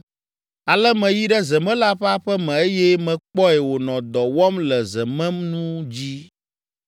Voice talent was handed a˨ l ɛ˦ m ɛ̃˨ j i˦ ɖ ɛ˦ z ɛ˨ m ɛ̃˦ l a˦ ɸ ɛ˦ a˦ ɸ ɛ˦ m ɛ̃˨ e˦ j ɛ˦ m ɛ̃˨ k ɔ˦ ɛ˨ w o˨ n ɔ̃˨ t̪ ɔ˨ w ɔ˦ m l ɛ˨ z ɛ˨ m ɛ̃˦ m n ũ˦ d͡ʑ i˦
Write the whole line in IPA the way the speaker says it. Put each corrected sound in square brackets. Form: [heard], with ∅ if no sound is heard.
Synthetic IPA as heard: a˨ l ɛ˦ m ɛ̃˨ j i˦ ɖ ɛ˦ z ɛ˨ m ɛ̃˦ l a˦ ɸ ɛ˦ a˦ ɸ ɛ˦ m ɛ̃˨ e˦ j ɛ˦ m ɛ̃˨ [k͡p] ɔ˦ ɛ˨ w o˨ n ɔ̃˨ [d̪] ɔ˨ w ɔ˦ m l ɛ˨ z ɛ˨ m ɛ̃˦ m n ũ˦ d͡ʑ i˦